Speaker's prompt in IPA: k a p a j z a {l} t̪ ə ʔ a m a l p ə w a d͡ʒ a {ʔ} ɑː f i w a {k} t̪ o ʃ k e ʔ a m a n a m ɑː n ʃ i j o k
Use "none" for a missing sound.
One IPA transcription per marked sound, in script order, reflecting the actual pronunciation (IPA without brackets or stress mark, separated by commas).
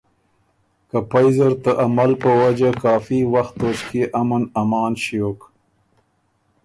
ɾ, k, x